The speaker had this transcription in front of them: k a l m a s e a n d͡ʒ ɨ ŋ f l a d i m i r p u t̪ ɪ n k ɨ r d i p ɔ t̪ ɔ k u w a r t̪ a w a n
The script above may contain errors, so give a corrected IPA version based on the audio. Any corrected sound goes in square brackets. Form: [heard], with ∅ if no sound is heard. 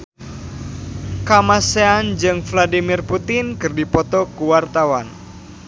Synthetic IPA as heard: k a [∅] m a s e a n d͡ʒ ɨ ŋ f l a d i m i r p u t̪ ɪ n k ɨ r d i p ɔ t̪ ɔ k u w a r t̪ a w a n